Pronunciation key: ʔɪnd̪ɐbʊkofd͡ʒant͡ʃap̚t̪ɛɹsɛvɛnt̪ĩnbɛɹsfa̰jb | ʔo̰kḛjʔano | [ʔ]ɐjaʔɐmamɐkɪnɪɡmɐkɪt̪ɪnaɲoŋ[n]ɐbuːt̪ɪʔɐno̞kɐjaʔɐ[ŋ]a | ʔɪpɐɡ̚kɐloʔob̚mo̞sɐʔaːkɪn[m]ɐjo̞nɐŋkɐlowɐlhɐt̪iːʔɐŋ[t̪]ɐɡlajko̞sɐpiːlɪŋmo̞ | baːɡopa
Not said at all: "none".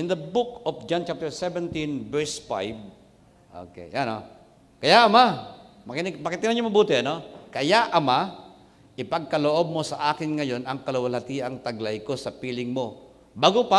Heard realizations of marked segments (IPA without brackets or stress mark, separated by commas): k, m, m, ŋ, t̪